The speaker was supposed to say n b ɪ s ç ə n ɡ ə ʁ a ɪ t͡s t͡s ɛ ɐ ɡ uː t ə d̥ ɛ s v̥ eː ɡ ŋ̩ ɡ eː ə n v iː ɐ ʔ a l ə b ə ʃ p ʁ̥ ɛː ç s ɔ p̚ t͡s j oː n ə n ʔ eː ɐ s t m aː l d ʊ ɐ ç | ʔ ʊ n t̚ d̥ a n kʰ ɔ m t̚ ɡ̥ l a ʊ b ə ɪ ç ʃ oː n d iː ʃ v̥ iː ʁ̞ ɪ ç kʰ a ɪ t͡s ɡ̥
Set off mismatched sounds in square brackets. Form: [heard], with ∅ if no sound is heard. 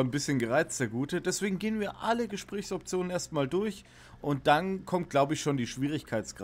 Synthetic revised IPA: n b ɪ s ç ə n ɡ ə ʁ a ɪ t͡s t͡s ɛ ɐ ɡ uː t ə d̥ ɛ s v̥ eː ɡ ŋ̩ ɡ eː ə n v iː ɐ ʔ a l ə [ɡ] ə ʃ p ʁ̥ ɛː ç s ɔ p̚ t͡s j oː n ə n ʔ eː ɐ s t m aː l d ʊ ɐ ç | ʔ ʊ n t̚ d̥ a n kʰ ɔ m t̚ ɡ̥ l a ʊ b ə ɪ ç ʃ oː n d iː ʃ v̥ iː ʁ̞ ɪ ç kʰ a ɪ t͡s ɡ̥